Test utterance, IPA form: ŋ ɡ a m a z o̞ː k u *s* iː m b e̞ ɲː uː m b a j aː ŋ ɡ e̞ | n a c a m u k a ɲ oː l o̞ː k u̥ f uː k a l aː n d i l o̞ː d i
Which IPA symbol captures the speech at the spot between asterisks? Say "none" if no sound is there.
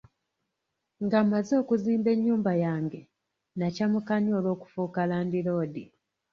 z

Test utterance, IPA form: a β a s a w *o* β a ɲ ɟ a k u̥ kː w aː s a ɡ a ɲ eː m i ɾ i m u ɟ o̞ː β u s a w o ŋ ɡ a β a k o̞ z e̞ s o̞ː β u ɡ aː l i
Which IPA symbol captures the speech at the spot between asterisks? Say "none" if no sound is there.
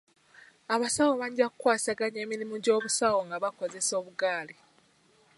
o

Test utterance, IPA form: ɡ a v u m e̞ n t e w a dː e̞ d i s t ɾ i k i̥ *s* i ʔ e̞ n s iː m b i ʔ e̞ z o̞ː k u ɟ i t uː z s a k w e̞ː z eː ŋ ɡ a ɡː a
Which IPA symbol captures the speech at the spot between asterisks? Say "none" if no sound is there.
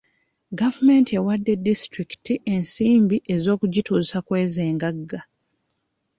t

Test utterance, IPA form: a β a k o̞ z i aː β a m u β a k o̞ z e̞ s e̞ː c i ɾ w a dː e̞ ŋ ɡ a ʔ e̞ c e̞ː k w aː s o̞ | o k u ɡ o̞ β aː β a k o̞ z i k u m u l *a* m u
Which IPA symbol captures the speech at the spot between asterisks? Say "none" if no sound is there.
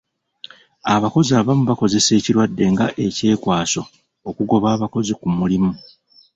i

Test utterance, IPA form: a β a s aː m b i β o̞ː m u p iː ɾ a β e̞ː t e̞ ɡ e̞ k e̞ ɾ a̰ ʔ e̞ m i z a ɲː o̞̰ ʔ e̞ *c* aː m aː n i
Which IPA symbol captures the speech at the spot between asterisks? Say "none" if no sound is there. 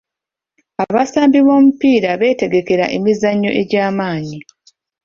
ɟ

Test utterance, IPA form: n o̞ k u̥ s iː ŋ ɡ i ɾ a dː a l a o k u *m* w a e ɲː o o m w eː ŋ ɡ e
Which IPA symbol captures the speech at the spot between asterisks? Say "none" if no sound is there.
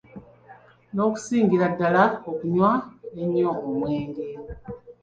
ɲ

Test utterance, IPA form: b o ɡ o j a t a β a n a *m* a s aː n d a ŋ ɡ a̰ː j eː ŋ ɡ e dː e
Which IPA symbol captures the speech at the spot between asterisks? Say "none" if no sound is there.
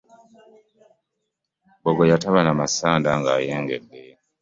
m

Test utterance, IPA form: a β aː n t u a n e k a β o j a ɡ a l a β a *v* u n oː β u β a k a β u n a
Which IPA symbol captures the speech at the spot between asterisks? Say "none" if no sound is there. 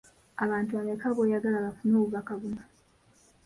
f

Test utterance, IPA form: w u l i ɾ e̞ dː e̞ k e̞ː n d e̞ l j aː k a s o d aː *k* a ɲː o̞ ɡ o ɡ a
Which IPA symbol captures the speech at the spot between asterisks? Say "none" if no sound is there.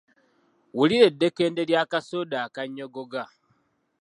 k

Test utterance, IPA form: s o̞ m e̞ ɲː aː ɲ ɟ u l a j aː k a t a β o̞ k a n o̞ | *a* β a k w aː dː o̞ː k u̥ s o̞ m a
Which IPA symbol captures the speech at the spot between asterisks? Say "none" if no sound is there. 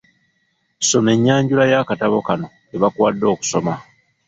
e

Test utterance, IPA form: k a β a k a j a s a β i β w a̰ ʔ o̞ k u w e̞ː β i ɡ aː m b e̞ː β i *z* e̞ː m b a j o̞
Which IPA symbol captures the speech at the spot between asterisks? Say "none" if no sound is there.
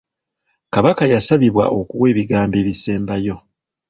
s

